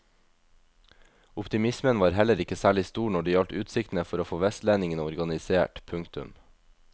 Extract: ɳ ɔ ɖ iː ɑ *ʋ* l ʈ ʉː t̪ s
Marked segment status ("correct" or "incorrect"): incorrect